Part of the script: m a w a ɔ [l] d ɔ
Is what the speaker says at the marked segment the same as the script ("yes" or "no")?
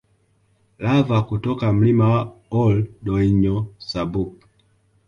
yes